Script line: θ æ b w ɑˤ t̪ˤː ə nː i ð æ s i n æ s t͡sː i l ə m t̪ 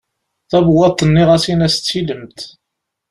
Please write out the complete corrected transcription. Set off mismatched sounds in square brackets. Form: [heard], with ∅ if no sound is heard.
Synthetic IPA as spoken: θ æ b w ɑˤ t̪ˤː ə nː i [ʁ] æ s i n æ s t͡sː i l ə m t̪